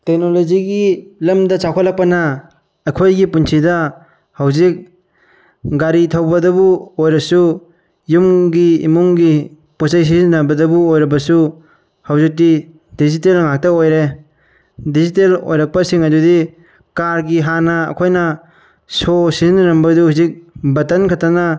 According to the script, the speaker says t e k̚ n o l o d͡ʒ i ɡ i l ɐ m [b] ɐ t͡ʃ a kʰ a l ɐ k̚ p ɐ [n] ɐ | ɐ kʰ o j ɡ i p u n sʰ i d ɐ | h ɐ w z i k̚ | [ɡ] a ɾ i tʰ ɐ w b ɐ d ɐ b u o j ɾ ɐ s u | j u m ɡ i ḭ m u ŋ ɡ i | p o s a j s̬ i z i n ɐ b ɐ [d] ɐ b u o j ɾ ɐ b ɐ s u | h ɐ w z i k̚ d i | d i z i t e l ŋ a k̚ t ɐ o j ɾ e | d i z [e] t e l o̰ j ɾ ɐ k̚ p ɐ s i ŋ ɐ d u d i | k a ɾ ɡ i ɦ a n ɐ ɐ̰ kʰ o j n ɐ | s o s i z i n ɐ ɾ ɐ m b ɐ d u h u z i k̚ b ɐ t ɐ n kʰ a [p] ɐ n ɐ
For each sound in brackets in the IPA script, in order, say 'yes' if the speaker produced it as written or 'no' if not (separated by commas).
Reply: no, yes, yes, yes, no, no